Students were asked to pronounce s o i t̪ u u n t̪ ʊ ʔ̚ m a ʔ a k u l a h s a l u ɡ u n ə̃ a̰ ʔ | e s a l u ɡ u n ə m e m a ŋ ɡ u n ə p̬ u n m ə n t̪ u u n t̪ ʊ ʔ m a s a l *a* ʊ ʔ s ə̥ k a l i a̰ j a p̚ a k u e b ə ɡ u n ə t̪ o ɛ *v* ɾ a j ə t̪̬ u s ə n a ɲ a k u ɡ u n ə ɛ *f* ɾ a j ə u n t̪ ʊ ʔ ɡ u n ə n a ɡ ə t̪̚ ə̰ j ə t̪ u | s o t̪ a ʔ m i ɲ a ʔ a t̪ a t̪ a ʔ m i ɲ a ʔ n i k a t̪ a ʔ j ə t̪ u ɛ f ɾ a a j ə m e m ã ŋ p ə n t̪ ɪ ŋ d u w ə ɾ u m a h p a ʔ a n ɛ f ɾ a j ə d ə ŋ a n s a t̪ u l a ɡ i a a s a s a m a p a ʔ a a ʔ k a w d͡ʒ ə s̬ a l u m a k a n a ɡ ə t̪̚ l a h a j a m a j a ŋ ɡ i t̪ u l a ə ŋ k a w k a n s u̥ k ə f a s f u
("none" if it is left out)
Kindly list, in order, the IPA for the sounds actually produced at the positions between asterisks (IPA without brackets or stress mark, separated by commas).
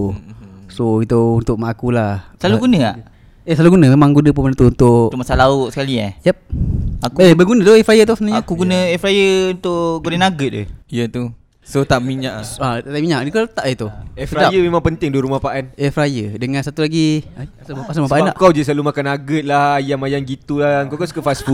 a, f, f